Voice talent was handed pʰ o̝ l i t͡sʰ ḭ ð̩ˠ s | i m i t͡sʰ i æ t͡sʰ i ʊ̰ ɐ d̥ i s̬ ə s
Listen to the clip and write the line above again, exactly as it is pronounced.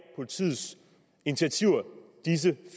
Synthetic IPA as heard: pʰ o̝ l i t͡sʰ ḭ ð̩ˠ s | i n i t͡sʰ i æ t͡sʰ i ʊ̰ ɐ d̥ i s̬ ə f